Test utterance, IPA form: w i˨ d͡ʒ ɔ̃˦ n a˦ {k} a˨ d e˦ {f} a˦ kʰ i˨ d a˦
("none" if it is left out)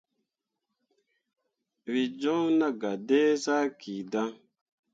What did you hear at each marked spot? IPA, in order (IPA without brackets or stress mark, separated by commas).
ɡ, s